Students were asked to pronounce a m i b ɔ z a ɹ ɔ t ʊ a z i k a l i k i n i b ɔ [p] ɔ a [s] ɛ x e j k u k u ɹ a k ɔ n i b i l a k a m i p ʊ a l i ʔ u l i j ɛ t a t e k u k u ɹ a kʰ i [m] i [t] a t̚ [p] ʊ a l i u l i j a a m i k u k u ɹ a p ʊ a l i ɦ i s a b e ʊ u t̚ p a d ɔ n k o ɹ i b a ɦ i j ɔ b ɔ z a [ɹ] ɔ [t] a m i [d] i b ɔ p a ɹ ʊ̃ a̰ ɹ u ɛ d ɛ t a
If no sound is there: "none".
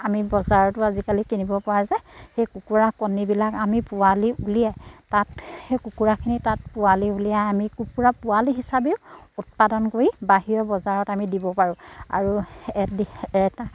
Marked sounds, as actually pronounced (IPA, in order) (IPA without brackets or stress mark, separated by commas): p, z, n, t, p, ɹ, t, d